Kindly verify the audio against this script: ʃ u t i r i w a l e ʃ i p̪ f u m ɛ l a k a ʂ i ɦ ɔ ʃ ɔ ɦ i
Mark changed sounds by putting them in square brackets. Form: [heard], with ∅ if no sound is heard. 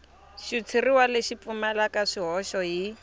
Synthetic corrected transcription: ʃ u [t͡sʰ] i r i w a l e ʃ i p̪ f u m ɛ l a k a ʂ i ɦ ɔ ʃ ɔ ɦ i